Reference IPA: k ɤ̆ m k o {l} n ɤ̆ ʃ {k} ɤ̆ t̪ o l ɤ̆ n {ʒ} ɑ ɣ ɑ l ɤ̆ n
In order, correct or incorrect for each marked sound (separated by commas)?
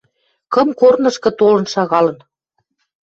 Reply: incorrect, correct, incorrect